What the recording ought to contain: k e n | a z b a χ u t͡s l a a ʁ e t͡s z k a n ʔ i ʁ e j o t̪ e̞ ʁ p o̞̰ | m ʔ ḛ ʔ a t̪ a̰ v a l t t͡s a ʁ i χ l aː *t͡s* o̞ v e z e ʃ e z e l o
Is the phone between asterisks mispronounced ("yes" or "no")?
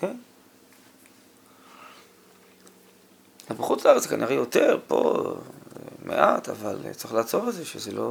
no